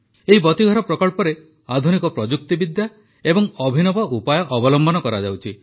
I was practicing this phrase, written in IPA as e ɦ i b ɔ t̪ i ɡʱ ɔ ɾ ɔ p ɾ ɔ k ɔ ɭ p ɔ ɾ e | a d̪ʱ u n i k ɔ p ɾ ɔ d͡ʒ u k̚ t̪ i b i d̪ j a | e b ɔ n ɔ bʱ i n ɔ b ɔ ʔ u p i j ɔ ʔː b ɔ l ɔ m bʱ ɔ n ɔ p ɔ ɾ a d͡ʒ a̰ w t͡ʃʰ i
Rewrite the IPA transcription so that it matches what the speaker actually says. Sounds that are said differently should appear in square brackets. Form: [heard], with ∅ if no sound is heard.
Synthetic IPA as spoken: e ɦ i b ɔ t̪ i ɡʱ ɔ ɾ ɔ p ɾ ɔ k ɔ ɭ p ɔ ɾ e | a d̪ʱ u n i k ɔ p ɾ ɔ d͡ʒ u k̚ t̪ i b i d̪ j a | e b ɔ [ŋ] ɔ bʱ i n ɔ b ɔ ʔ u p [a] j ɔ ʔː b ɔ l ɔ m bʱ ɔ n ɔ [k] ɔ ɾ a d͡ʒ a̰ w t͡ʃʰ i